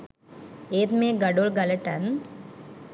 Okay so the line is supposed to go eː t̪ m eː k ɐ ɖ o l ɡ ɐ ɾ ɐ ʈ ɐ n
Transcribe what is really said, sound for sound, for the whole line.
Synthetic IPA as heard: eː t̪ m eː ɡ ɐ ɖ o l ɡ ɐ l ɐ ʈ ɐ n